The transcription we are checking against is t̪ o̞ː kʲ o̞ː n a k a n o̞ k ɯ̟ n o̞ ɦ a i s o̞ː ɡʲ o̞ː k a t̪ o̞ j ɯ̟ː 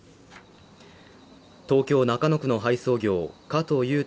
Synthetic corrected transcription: t̪ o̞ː kʲ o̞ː n a k a n o̞ k ɯ̟ n o̞ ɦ a i s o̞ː ɡʲ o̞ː k a t̪ o̞ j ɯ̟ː